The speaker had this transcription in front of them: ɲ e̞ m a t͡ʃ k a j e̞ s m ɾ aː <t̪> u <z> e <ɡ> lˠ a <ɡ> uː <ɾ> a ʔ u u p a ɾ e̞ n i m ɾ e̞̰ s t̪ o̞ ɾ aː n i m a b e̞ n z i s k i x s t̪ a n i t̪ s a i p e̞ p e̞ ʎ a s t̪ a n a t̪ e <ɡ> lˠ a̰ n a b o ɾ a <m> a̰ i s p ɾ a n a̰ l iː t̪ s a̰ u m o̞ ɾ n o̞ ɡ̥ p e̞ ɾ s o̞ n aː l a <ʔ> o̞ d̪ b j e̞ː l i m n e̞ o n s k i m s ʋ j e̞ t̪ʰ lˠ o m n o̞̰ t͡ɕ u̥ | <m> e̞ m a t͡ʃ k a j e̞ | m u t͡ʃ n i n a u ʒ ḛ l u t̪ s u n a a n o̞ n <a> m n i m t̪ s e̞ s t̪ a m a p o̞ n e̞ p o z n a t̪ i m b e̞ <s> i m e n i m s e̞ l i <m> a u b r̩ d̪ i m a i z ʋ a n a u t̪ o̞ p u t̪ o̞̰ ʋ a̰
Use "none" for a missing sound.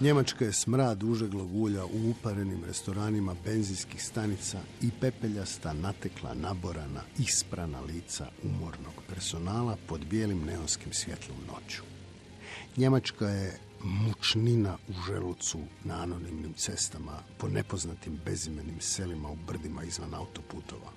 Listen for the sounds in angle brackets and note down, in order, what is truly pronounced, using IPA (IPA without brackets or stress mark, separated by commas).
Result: d̪, ʒ, ɡ, ɡ, ʎ, k, n, p, ɲ, i, z, m